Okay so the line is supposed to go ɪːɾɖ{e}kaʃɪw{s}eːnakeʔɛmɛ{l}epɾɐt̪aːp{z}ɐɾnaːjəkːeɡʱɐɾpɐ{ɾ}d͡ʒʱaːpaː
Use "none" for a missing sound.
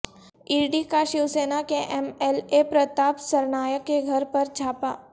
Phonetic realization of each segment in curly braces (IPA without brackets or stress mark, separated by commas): i, s, l, s, ɾ